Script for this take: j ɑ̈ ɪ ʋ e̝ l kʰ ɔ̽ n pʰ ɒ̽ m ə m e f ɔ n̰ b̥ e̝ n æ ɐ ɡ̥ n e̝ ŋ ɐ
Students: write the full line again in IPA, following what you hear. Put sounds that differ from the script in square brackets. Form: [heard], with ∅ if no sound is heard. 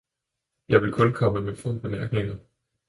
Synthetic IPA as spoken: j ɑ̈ ɪ ʋ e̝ l kʰ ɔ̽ n [kʰ] ɒ̽ m ə m e f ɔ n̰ b̥ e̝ [m] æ ɐ ɡ̥ n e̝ ŋ ɐ